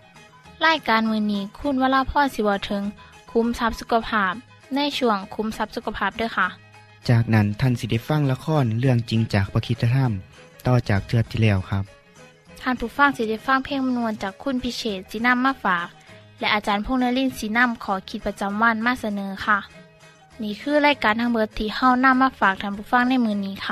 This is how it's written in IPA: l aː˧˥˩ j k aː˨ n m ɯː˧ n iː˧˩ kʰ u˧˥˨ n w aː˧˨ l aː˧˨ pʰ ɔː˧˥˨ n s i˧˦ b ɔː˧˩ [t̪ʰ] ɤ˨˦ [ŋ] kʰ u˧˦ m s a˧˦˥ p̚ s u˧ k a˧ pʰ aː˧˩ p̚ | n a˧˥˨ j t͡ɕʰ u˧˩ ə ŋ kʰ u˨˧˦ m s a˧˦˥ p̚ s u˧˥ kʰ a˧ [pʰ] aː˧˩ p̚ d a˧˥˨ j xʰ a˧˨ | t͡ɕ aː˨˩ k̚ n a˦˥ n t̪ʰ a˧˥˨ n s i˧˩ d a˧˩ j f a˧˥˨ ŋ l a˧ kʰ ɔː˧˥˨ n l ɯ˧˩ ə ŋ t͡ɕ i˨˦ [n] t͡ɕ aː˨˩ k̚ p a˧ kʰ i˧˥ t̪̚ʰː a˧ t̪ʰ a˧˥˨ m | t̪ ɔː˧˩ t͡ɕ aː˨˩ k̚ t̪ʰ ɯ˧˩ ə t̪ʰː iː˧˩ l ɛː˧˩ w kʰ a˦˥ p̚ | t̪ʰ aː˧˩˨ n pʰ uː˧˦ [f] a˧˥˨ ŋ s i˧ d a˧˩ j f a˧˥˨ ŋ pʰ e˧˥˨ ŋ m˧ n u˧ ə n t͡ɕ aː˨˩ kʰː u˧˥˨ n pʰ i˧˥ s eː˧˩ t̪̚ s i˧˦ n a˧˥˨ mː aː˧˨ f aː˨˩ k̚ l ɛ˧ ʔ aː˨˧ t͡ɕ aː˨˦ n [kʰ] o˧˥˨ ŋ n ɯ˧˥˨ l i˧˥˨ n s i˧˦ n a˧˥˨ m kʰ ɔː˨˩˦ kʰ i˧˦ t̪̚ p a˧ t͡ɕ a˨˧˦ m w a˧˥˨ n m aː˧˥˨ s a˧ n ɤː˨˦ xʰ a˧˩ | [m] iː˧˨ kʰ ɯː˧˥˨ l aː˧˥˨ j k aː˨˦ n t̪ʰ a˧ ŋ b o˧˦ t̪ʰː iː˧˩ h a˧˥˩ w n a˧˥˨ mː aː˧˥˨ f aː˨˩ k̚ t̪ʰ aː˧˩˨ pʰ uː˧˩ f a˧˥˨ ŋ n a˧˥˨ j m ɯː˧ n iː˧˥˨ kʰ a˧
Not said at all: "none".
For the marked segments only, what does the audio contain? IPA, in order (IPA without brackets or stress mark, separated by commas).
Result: t̪ʰ, ŋ, pʰ, ŋ, f, pʰ, n